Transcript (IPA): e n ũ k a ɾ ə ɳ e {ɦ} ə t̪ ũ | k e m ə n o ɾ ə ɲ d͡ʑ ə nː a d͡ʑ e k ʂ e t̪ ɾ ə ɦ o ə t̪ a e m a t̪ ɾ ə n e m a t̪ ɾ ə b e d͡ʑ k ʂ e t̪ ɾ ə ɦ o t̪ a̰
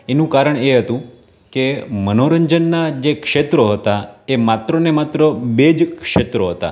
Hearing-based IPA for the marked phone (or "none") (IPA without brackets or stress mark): ɦ